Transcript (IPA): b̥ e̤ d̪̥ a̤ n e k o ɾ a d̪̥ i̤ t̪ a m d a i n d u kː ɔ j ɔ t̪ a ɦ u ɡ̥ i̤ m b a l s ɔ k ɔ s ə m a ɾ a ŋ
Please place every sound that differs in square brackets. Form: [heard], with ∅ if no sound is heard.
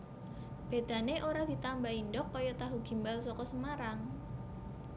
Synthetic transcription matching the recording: b̥ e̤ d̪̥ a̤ n e [ʔ] o ɾ a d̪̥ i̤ t̪ a m [b] a i n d [ɔ] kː ɔ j ɔ t̪ a ɦ u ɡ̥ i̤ m b a l s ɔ k ɔ s ə m a ɾ a ŋ